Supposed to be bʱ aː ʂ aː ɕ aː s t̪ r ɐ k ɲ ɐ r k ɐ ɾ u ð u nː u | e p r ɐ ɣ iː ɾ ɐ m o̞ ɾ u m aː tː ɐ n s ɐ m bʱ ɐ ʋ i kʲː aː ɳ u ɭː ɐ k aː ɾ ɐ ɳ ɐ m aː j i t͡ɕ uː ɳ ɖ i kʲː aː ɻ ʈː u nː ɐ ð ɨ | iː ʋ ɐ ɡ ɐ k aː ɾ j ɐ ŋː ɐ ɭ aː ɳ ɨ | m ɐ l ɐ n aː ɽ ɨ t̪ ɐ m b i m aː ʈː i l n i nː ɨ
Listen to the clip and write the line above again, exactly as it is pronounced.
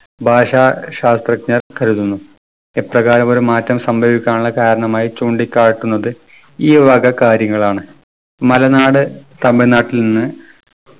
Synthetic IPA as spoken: bʱ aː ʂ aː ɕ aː s t̪ r ɐ k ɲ ɐ r k ɐ ɾ u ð u nː u | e p r ɐ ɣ aː ɾ ɐ m o̞ ɾ u m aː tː ɐ m s ɐ m bʱ ɐ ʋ i kʲː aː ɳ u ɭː ɐ k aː ɾ ɐ ɳ ɐ m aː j i t͡ɕ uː ɳ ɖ i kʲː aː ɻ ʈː u nː ɐ ð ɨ | iː ʋ ɐ ɡ ɐ k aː ɾ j ɐ ŋː ɐ ɭ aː ɳ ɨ | m ɐ l ɐ n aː ɽ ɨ t̪ ɐ m b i n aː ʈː i l n i nː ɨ

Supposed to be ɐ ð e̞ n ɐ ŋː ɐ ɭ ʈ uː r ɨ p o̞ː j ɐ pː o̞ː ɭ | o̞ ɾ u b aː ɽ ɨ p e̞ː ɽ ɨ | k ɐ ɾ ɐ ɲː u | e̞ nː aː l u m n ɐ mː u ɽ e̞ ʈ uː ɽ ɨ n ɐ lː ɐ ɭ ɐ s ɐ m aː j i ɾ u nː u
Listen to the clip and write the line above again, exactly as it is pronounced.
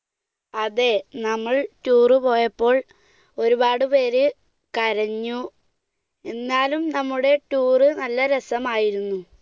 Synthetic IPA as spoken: ɐ ð e̞ n ɐ mː ɐ ɭ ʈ uː r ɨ p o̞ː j ɐ pː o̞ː ɭ | o̞ ɾ u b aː ɽ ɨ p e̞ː ɾ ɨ | k ɐ ɾ ɐ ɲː u | e̞ nː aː l u m n ɐ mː u ɽ e̞ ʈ uː r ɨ n ɐ lː ɐ ɾ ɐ s ɐ m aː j i ɾ u nː u

